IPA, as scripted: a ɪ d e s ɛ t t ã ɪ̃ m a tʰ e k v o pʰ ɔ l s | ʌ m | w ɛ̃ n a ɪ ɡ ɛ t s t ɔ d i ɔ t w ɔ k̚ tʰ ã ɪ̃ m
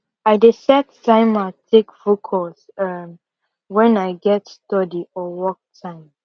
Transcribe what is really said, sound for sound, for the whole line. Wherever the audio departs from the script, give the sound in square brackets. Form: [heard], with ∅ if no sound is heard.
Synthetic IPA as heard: a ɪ d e s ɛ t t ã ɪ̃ m a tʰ e k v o [kʰ] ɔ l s | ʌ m | w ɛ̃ n a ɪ ɡ ɛ t s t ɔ d i ɔ [∅] w ɔ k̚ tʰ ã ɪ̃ m

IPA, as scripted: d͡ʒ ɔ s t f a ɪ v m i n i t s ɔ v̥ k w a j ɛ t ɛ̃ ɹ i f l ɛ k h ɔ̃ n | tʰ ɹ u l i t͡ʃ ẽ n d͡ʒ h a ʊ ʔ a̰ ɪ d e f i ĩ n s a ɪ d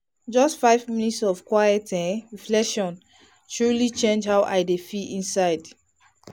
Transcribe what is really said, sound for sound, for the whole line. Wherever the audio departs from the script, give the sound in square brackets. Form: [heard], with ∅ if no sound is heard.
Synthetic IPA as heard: d͡ʒ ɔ s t f a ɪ v m i n i t s ɔ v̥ k w a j ɛ t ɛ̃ ɹ i f l ɛ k [ʃ] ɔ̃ n | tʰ ɹ u l i t͡ʃ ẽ n d͡ʒ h a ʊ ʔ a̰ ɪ d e f i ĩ n s a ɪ d

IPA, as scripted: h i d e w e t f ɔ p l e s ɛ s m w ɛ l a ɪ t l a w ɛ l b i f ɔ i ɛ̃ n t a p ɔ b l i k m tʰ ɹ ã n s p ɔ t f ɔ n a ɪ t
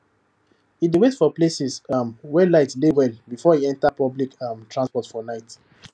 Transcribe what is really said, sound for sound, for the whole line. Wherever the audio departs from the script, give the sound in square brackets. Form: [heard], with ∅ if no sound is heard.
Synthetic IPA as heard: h i d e w e t f ɔ p l e s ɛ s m w ɛ l a ɪ t l [e] w ɛ l b i f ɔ i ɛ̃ n t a p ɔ b l i k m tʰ ɹ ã n s p ɔ t f ɔ n a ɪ t

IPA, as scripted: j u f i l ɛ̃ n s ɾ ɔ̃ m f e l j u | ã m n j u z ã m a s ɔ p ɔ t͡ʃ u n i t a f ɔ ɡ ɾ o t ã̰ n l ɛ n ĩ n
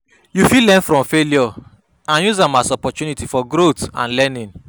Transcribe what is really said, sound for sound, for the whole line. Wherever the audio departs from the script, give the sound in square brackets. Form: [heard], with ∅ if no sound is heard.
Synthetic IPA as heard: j u f i l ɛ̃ n [f] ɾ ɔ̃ m f e l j [ɔ] | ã [∅] n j u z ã m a s ɔ p ɔ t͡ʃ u n i t [i] f ɔ ɡ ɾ o t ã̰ n l ɛ n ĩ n

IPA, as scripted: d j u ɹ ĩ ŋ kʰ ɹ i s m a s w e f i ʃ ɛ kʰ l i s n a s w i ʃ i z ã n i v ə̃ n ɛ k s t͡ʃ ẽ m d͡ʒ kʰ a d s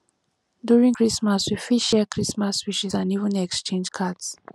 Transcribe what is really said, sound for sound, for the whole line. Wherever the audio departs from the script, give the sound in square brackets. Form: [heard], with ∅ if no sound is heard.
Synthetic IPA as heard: d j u ɹ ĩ ŋ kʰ ɹ i s m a s w [i] f i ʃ ɛ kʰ [ɹ] i s [m] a s w i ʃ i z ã n i v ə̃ n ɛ k s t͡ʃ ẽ [n] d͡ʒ kʰ a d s

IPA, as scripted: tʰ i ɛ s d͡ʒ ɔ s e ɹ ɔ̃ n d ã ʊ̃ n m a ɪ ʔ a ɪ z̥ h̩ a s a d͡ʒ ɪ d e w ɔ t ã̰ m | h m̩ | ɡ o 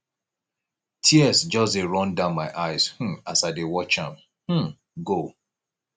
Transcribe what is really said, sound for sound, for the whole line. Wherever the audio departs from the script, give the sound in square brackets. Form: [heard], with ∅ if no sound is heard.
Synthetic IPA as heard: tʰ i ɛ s d͡ʒ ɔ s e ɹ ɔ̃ n d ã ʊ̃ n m a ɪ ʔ a ɪ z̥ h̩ a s a [∅] ɪ d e w ɔ [t͡ʃ] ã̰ m | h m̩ | ɡ o

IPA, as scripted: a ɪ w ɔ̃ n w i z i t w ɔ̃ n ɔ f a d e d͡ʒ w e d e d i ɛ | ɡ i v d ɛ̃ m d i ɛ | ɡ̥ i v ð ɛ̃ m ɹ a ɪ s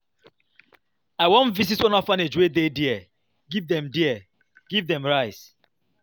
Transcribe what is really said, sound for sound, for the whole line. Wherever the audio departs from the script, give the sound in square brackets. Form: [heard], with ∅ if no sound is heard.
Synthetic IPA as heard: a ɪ w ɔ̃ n [v] i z i t w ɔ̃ n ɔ f a [n] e d͡ʒ w e d e d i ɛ | ɡ i v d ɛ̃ m d i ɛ | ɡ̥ i v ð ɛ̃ m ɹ a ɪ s

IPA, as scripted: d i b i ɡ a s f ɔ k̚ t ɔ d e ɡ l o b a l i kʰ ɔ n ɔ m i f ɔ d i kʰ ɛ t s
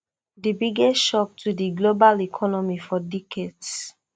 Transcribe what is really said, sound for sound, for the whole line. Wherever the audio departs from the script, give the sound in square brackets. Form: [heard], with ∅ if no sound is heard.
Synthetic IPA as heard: d i b i ɡ [ɛ] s [ʃ] ɔ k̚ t [u] d [i] ɡ l o b a l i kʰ ɔ n ɔ m i f ɔ d i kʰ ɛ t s

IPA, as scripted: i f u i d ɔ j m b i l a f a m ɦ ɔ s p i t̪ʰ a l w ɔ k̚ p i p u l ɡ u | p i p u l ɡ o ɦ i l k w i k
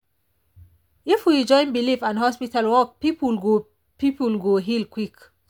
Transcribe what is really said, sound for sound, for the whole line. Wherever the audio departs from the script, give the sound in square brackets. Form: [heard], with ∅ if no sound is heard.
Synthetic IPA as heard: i f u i [d͡ʒ] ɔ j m b i l [i] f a [n] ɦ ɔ s p i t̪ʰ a l w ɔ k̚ p i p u l ɡ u | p i p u l ɡ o ɦ i l k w i k

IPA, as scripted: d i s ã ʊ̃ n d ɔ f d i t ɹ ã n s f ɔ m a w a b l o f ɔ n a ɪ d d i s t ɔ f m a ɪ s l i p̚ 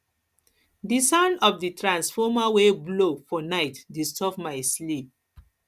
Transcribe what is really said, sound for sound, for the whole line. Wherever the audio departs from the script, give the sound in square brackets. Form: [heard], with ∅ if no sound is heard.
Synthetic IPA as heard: d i s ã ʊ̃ n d ɔ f d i t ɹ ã n s f ɔ m a w [e] b l o f ɔ n a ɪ [t] d i s t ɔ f m a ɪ s l i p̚

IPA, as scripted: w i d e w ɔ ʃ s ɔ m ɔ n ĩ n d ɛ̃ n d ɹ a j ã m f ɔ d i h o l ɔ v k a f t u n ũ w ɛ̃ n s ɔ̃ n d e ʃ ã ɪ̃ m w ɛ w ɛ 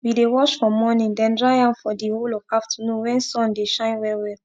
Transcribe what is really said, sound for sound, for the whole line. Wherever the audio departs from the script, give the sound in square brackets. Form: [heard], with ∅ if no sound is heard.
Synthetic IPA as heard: w i d e w ɔ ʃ [f] ɔ m ɔ n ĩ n d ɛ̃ n d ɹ a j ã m f ɔ d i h o l ɔ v k a f t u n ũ w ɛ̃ n s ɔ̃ n d e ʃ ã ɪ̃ [n] w ɛ w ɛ

